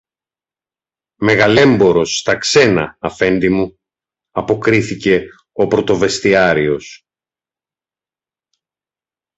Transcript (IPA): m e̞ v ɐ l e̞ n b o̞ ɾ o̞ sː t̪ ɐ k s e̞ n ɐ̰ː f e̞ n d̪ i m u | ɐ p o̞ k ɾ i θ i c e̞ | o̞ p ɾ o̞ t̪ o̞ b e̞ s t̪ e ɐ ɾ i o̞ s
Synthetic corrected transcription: m e̞ ɣ ɐ l e̞ m b o̞ ɾ o̞ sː t̪ ɐ k s e̞ n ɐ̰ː f e̞ n d̪ i m u | ɐ p o̞ k ɾ i θ i c e̞ | o̞ p ɾ o̞ t̪ o̞ v e̞ s t̪ i ɐ ɾ i o̞ s